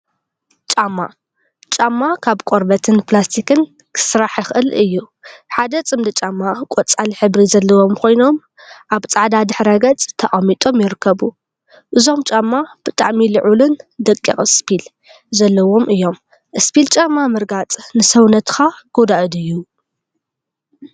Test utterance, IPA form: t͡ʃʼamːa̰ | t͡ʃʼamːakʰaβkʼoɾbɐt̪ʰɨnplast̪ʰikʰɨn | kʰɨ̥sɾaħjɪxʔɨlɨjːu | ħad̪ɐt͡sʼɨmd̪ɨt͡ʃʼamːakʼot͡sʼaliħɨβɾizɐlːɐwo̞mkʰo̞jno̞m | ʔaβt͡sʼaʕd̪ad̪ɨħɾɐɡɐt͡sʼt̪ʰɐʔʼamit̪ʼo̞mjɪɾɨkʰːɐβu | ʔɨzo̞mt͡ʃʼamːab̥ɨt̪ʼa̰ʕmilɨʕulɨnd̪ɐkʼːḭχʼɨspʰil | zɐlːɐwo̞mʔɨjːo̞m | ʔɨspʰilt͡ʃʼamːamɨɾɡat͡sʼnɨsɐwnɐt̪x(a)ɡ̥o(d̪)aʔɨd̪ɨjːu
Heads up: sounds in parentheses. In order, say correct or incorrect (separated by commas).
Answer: correct, correct